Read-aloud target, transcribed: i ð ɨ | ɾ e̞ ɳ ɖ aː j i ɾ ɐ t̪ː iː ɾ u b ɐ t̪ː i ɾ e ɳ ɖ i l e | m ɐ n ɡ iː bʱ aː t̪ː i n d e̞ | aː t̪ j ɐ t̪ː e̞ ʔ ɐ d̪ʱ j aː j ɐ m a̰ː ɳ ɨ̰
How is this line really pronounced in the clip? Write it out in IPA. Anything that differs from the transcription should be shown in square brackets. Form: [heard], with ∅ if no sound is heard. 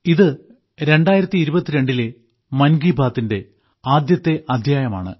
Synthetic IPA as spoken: i ð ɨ | ɾ e̞ ɳ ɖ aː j i ɾ ɐ t̪ː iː ɾ u b ɐ t̪ː i ɾ e ɳ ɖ i l e | m ɐ n ɡ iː bʱ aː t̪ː i n d e̞ | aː [d̪] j ɐ t̪ː e̞ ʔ ɐ d̪ʱ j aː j ɐ m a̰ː ɳ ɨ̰